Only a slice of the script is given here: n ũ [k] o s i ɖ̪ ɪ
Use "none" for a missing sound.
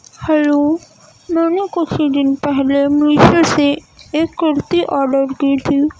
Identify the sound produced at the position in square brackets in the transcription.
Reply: k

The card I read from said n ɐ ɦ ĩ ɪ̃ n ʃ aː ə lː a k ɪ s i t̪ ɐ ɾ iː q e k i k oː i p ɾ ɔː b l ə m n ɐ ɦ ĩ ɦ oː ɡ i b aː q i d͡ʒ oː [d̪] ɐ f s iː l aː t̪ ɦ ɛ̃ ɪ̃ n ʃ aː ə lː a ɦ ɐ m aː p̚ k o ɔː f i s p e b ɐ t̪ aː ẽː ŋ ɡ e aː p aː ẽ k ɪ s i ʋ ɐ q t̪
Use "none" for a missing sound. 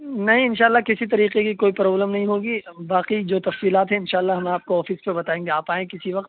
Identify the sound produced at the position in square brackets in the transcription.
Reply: t̪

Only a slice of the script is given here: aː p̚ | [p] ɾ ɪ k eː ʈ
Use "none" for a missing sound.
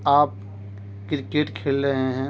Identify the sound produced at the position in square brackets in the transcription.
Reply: k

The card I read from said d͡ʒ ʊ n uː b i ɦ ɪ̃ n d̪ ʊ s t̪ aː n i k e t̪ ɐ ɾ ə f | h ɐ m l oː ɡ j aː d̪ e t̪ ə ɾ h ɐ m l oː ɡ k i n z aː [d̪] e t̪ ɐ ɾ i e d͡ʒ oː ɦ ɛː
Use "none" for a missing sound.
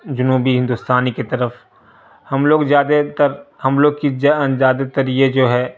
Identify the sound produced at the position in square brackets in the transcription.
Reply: d̪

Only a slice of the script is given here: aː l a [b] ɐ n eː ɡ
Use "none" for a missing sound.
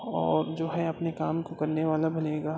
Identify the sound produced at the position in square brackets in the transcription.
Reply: b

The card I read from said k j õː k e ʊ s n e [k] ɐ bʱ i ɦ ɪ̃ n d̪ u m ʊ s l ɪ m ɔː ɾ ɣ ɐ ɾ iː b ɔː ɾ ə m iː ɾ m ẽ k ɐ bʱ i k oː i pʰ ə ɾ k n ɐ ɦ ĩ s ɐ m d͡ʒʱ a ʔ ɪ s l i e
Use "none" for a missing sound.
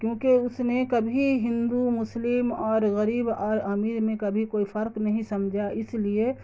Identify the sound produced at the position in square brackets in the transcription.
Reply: k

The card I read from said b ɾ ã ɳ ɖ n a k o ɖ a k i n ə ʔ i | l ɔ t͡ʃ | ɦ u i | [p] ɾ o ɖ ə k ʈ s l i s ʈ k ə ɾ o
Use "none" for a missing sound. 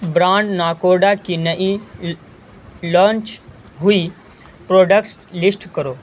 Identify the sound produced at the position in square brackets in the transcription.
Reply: p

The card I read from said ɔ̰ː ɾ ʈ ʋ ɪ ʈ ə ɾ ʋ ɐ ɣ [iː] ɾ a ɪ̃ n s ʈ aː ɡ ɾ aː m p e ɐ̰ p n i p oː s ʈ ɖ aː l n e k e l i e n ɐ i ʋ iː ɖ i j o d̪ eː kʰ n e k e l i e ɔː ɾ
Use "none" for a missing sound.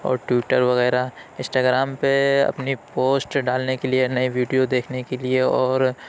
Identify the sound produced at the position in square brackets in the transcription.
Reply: ɛː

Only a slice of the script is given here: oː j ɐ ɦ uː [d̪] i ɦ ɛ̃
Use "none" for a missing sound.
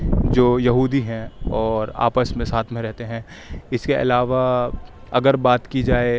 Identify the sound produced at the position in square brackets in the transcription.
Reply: d̪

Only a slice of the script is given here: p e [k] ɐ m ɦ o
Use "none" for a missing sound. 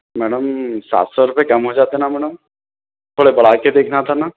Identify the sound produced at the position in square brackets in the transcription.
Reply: k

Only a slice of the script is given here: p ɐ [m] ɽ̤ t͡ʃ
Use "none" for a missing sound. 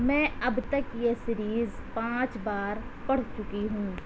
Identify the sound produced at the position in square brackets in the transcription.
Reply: none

